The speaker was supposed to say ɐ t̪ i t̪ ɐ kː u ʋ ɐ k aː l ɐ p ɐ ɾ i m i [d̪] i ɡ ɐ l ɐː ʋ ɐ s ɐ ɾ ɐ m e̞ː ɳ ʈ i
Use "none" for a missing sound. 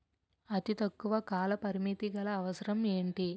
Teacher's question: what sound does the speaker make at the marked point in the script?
t̪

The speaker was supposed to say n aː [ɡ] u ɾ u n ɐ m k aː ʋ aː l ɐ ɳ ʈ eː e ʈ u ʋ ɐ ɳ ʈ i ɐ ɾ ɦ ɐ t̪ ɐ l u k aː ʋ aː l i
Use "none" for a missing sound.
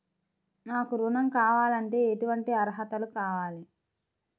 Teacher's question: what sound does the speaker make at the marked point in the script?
k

